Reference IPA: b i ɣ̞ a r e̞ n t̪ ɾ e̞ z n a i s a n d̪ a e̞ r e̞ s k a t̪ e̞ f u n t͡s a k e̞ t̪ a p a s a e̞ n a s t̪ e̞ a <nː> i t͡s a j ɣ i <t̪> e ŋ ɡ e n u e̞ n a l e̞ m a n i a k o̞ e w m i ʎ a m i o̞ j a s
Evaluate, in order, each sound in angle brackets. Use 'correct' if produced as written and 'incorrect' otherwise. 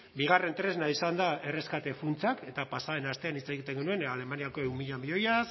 incorrect: n, correct

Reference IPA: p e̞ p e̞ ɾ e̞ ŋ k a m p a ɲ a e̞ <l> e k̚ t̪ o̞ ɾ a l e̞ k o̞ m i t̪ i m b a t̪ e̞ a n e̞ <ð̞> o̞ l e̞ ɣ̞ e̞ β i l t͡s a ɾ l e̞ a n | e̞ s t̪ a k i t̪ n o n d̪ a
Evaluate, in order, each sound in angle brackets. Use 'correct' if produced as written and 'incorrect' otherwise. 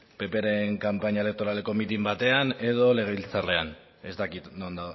correct, correct

